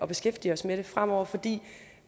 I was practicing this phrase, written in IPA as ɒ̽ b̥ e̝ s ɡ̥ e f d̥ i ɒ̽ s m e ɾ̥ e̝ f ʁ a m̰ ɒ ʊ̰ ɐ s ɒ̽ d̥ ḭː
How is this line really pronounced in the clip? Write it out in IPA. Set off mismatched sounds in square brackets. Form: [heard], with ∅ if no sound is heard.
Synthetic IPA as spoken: ɒ̽ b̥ e̝ s ɡ̥ e f d̥ i ɒ̽ s m e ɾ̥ e̝ f ʁ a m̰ ɒ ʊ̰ ɐ [f] ɒ̽ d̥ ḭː